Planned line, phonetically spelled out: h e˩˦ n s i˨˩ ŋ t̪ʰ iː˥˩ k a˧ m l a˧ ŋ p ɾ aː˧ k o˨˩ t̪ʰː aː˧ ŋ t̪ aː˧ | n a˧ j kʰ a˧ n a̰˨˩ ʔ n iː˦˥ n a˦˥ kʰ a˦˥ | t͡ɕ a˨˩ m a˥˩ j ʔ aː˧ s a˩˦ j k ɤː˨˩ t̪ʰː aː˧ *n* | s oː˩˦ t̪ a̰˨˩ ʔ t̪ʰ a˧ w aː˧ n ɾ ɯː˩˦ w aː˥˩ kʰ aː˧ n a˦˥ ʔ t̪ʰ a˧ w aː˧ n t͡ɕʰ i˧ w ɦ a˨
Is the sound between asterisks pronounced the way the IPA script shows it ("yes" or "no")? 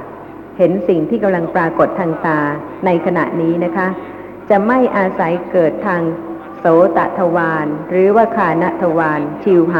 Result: no